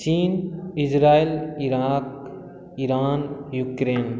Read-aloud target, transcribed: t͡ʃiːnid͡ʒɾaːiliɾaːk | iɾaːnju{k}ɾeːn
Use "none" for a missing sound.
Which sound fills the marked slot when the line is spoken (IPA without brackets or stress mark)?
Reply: k